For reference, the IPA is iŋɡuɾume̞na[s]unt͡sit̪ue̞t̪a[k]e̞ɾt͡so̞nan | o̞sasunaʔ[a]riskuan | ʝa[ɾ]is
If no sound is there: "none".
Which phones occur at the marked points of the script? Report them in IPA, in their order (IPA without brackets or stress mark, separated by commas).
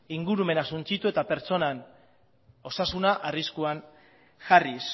s, p, a, r